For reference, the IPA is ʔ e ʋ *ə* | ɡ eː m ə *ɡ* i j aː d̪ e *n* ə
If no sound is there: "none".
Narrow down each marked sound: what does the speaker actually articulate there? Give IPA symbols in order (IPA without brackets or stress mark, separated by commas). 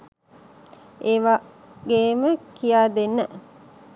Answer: a, k, nː